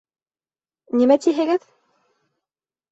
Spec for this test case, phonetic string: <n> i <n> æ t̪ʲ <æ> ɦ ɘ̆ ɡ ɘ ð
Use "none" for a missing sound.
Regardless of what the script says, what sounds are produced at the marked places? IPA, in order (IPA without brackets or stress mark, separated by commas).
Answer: n, m, i